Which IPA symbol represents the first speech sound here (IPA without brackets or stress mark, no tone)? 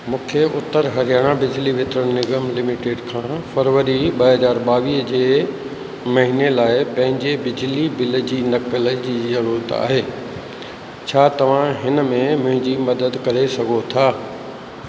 m